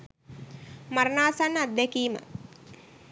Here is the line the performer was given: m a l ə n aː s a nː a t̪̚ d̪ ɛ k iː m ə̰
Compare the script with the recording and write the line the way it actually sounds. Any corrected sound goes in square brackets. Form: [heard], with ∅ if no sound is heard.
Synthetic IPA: m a [ɾ] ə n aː s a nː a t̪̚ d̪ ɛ k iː m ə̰